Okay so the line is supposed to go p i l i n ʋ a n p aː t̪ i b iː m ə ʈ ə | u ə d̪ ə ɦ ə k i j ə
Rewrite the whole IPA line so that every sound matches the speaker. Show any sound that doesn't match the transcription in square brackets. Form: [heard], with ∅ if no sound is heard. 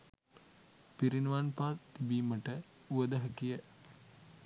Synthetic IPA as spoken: p i [ɾ] i n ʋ a n p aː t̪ i b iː m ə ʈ ə | u ə d̪ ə ɦ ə k i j ə